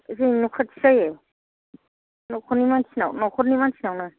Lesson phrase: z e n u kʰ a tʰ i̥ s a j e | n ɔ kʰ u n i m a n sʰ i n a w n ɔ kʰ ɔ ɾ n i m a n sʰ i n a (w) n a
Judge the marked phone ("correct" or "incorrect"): correct